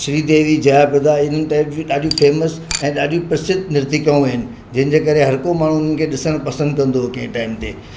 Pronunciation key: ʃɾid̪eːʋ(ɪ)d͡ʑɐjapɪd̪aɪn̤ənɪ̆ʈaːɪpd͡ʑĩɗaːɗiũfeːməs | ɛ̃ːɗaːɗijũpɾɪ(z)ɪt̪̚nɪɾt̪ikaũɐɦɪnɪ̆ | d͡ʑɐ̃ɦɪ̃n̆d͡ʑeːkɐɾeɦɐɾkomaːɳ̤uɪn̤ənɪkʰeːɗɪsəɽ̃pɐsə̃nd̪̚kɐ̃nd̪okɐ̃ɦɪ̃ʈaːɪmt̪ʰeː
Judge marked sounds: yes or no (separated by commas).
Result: no, no